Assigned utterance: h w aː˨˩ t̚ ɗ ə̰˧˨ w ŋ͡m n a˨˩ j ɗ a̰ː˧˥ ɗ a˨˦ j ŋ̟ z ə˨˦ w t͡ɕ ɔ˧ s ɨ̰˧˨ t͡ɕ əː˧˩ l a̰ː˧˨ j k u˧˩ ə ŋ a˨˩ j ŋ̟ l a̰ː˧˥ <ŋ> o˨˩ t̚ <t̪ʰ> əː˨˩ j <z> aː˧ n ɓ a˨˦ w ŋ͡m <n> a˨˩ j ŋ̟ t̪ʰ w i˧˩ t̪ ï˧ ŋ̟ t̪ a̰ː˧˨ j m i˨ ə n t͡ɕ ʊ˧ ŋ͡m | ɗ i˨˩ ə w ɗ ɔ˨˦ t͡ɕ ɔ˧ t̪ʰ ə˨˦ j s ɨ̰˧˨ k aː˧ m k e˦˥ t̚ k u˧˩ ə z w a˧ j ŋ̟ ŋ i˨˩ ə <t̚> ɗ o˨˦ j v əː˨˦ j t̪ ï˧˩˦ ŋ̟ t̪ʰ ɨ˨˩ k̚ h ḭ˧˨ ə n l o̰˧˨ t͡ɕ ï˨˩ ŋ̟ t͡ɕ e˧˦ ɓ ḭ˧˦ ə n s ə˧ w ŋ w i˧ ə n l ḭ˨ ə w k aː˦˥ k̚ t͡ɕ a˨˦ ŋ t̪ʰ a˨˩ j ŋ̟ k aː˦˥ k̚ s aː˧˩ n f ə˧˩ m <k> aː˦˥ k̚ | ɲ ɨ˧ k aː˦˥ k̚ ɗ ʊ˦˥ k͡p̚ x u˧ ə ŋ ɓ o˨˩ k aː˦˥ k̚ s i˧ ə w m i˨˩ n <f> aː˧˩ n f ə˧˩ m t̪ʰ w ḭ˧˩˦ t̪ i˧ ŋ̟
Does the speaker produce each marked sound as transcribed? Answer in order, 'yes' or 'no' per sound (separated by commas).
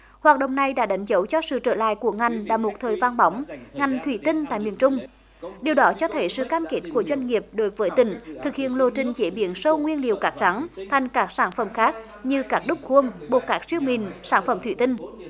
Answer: no, yes, no, no, no, no, no